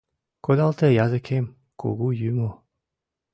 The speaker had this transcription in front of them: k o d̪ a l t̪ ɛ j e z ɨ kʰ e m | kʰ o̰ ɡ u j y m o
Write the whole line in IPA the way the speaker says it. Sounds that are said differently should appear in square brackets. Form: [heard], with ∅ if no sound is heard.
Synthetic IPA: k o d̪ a l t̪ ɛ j [a] z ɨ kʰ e m | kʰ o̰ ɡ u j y m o